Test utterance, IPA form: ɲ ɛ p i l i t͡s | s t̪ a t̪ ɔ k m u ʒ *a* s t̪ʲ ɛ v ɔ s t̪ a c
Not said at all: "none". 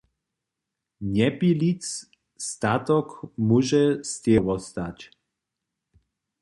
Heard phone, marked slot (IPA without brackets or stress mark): ɛ